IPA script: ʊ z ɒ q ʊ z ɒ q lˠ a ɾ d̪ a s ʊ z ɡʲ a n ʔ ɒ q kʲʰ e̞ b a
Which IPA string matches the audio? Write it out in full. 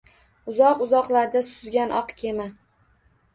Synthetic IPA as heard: ʊ z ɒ q ʊ z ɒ q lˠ a ɾ d̪ a s ʊ z ɡʲ a n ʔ ɒ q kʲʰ e̞ m a